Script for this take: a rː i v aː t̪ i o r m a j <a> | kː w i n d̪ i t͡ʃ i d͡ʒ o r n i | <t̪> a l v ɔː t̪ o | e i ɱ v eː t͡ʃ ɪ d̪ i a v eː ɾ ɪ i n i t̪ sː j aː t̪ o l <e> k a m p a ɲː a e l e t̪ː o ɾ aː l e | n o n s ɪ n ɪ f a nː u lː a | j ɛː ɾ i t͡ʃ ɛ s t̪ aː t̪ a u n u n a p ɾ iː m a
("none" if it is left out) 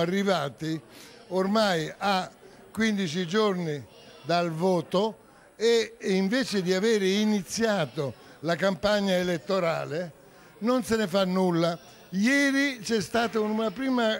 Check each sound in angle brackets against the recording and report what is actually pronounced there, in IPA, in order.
a, d̪, a

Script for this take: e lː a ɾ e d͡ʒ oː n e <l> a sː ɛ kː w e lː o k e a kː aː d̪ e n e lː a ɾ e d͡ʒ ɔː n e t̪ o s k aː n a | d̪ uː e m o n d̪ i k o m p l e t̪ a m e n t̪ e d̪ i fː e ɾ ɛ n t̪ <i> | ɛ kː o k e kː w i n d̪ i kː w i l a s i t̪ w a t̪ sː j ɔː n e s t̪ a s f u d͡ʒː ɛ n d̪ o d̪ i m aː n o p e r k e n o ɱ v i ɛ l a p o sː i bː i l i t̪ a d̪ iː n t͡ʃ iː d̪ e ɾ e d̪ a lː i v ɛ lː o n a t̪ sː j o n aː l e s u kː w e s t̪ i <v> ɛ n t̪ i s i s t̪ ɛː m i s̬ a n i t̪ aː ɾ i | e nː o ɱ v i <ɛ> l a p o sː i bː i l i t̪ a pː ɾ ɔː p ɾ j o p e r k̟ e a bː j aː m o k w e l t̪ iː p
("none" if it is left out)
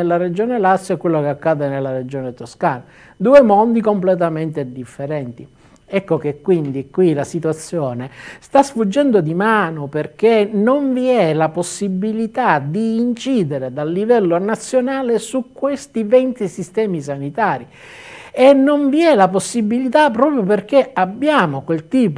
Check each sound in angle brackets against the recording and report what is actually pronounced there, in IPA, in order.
l, i, v, ɛ

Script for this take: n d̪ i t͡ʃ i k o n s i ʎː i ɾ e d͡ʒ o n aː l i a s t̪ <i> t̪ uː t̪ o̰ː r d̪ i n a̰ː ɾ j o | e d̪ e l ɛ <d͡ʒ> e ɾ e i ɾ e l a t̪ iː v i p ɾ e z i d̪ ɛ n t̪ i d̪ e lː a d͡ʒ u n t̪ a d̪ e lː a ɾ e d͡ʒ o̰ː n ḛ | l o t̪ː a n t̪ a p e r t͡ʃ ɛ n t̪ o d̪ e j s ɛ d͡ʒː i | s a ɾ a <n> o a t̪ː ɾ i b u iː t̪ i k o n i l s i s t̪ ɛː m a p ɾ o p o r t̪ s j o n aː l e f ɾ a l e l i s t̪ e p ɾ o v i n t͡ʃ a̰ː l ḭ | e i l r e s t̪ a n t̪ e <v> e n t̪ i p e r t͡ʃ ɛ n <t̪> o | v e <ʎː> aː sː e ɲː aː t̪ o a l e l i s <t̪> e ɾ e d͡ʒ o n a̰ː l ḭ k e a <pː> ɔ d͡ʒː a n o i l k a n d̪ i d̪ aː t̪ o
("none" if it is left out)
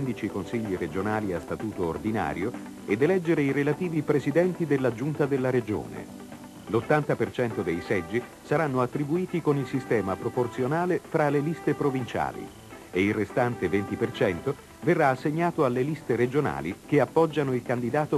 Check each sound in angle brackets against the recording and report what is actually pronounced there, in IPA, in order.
a, d͡ʒː, nː, v, t̪, rː, t̪, pː

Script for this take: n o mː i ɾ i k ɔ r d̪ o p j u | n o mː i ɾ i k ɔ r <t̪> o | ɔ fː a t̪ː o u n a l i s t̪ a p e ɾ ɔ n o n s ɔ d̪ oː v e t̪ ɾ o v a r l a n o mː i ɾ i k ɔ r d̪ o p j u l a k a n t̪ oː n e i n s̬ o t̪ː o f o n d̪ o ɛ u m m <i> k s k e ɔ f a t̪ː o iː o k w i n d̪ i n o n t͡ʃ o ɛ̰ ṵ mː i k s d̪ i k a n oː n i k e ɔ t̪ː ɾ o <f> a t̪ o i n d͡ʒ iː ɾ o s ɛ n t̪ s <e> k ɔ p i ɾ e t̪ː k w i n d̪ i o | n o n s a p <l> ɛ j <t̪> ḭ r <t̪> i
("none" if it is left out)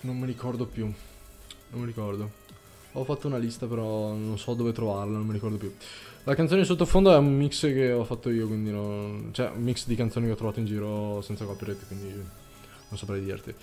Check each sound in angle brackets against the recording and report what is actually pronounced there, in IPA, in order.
d̪, i, v, a, ɾ, d̪, t̪

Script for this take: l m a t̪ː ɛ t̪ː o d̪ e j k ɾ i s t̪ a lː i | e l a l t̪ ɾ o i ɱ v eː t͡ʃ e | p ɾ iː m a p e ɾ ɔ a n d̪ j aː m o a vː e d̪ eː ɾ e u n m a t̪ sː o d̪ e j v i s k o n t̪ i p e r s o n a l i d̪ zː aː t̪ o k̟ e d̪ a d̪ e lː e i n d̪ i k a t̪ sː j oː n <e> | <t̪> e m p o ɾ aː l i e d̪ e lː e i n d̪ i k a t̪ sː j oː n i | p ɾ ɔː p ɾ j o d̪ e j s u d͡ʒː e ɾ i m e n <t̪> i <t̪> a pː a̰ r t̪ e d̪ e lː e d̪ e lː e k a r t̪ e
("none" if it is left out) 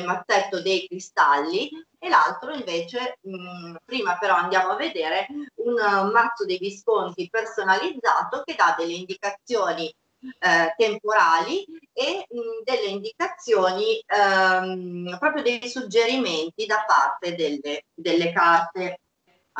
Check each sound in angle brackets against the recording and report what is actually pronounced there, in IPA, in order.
i, t̪, t̪, d̪

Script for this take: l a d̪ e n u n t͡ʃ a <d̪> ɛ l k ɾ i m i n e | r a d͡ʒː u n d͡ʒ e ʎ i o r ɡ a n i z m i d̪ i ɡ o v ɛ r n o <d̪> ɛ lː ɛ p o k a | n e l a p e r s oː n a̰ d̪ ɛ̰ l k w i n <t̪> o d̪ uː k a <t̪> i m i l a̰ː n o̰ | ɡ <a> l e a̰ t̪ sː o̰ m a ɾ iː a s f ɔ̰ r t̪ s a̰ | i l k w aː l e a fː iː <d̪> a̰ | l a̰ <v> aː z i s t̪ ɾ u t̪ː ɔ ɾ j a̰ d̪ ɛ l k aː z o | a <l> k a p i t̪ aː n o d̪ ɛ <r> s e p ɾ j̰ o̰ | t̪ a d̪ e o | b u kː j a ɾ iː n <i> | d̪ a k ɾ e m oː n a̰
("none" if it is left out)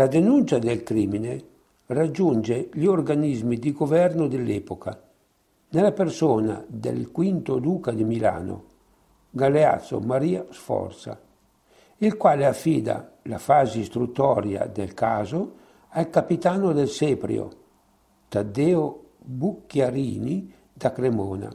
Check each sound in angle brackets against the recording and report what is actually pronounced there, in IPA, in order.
d̪, d̪, t̪, d̪, a, d̪, f, l, l, i

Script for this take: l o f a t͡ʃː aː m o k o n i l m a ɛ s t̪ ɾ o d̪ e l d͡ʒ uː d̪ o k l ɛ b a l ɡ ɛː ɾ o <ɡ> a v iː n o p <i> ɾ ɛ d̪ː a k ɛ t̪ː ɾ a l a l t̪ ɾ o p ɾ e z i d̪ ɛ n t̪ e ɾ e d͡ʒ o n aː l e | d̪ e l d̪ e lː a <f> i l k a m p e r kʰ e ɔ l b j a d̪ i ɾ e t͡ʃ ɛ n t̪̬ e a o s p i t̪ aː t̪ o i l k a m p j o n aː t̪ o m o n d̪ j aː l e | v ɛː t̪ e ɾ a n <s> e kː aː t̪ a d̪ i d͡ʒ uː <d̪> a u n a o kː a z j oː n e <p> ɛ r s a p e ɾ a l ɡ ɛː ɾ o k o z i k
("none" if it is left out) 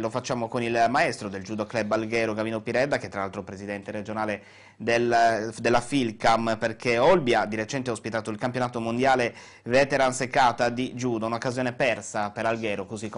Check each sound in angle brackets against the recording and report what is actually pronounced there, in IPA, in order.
ɡ, i, f, s, d̪, p

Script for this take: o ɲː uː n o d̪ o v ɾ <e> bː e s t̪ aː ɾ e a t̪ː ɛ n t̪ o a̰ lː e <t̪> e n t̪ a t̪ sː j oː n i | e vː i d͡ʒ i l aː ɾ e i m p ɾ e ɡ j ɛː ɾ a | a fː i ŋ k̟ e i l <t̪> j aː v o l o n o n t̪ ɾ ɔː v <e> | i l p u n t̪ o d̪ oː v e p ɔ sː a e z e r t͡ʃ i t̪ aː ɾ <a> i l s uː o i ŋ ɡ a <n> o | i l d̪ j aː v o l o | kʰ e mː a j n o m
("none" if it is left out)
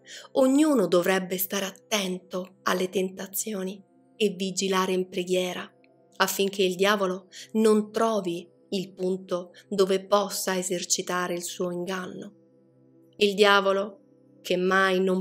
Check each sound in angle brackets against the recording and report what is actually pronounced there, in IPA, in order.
ɛ, t̪, d̪, i, e, nː

